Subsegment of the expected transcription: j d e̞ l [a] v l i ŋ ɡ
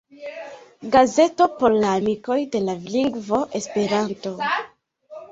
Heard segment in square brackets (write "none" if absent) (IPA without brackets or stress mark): a